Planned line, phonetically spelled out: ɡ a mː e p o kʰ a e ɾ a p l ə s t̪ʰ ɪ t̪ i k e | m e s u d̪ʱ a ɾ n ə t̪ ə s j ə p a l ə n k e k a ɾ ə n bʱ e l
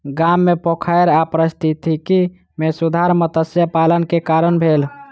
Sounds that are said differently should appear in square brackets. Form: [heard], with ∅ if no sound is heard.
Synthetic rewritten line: ɡ a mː e p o kʰ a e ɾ a p [ɾ] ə s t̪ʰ [i] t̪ i k [i] | m e s u d̪ʱ a ɾ [m] ə t̪ ə s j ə p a l ə n k e k a ɾ ə n bʱ e l

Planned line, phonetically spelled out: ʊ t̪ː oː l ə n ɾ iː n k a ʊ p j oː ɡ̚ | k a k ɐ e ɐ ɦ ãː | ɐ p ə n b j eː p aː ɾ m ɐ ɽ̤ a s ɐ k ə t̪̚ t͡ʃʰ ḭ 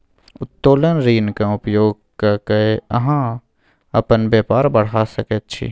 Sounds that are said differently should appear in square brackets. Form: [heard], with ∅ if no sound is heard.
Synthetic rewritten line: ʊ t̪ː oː l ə n ɾ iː n k a ʊ p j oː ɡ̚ | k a k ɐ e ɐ ɦ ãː | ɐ p ə n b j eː p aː ɾ [b] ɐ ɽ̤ a s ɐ k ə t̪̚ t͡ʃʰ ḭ

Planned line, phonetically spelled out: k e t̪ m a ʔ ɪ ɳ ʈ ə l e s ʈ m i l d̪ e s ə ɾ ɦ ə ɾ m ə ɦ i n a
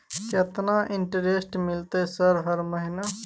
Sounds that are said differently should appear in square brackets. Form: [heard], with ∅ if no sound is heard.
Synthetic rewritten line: k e t̪ [n] a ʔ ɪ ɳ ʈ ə [ɾ] e s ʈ m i l [t̪] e s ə ɾ ɦ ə ɾ m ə ɦ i n a

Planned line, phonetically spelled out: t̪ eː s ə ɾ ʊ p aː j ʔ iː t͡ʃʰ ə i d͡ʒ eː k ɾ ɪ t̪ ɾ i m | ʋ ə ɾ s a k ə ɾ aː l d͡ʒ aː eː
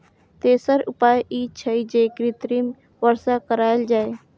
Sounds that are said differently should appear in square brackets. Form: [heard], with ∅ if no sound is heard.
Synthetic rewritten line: t̪ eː s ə ɾ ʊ p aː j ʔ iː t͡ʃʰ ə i d͡ʒ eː k ɾ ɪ t̪ ɾ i m | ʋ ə ɾ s a k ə ɾ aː l d͡ʒ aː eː

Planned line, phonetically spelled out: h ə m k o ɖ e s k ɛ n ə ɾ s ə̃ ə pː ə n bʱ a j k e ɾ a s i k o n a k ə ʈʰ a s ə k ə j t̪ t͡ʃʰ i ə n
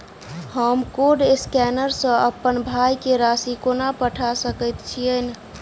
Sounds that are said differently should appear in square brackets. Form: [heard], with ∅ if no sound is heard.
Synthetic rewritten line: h ə m k o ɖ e s k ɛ n ə ɾ s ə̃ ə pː ə n bʱ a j k e ɾ a s i k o n a [p] ə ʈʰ a s ə k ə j t̪ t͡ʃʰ i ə n

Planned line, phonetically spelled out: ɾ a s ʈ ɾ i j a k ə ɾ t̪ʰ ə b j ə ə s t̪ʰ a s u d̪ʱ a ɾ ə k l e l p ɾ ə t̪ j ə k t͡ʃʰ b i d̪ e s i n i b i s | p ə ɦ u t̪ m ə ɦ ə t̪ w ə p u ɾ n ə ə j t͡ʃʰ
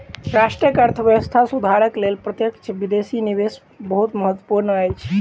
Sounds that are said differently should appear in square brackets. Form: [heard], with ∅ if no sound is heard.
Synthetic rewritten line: ɾ a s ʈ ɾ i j [ə] k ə ɾ t̪ʰ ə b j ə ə s t̪ʰ a s u d̪ʱ a ɾ ə k l e l p ɾ ə t̪ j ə k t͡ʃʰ b i d̪ e s i n i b [e] s | [b] ə ɦ u t̪ m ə ɦ ə t̪ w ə p u ɾ n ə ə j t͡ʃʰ

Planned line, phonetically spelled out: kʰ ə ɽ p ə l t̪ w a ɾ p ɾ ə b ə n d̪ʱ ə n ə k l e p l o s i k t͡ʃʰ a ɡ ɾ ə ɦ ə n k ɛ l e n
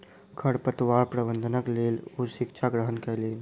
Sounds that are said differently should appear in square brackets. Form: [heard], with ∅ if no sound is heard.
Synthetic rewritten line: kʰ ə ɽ p ə [∅] t̪ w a ɾ p ɾ ə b ə n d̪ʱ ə n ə k l e [∅] l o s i k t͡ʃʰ a ɡ ɾ ə ɦ ə n k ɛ l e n

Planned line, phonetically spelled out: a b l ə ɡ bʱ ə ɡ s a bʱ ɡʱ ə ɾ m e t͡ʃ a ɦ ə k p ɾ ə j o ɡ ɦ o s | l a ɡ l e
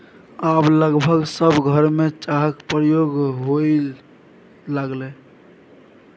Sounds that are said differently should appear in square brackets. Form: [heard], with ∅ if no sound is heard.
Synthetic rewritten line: a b l ə ɡ bʱ ə ɡ s [ə] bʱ ɡʱ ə ɾ m e t͡ʃ a ɦ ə k p ɾ ə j o ɡ ɦ o [∅] | l a ɡ l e

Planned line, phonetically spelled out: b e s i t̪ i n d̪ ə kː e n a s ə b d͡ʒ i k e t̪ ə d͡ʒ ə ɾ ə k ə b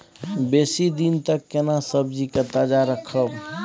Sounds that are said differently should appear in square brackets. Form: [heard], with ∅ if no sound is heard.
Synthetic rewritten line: b e s i [d̪] i n [t̪] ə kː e n a s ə b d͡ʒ i k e t̪ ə d͡ʒ [a] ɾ ə [kʰ] ə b

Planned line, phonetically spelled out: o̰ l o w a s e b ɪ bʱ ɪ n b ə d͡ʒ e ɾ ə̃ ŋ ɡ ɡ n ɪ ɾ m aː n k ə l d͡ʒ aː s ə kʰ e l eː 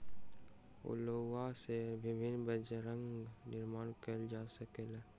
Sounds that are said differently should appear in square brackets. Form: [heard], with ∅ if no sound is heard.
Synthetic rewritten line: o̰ l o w a s e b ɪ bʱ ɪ n b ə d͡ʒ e ɾ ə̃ ŋ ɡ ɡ n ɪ ɾ m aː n k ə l d͡ʒ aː s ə [k] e l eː

